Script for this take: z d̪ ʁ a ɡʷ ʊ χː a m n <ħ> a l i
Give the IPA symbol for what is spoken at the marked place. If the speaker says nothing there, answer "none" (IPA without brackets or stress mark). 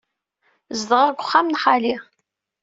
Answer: ħ